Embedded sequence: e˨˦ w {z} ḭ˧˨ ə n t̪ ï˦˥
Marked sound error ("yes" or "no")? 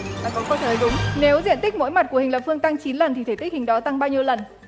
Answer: no